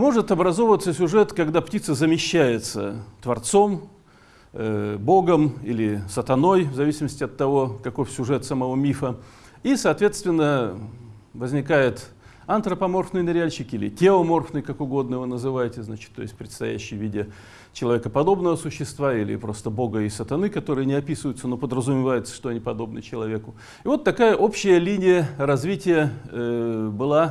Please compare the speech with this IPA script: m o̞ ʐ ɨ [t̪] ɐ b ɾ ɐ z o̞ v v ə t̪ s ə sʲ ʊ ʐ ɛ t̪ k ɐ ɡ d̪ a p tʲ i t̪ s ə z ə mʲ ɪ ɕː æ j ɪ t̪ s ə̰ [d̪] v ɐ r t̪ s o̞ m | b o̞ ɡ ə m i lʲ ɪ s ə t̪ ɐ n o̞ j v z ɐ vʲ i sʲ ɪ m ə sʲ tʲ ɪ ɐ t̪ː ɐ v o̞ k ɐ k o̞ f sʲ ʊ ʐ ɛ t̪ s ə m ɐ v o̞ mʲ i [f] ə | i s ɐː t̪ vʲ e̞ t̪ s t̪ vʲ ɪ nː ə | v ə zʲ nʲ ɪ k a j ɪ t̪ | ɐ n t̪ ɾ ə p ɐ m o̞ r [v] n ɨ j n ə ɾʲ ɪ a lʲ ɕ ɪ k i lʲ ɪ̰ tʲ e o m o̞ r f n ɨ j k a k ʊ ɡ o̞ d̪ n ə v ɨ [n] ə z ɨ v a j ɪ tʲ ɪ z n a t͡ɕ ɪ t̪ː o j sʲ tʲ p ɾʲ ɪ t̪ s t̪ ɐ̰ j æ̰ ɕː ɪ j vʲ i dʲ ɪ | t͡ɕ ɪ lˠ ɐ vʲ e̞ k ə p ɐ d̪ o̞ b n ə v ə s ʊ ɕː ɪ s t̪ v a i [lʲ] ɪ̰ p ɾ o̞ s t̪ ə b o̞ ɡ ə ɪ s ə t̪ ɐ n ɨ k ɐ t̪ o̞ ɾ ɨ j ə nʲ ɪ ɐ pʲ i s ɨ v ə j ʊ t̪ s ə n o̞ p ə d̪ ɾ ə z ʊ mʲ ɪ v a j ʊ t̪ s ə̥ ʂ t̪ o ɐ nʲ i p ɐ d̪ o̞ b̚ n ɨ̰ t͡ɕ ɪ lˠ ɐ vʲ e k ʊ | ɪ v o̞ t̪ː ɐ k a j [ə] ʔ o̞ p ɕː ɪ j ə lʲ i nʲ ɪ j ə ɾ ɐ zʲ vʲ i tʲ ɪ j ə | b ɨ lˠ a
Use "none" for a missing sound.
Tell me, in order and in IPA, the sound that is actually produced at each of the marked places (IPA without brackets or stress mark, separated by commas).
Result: t̪, t̪, f, f, n, lʲ, ə